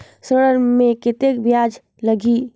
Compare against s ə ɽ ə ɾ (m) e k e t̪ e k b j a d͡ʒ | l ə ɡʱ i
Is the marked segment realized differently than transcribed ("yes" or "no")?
no